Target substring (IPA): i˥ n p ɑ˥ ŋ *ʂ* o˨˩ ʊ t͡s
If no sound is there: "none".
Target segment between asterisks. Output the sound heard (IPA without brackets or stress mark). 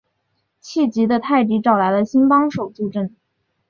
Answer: ʂ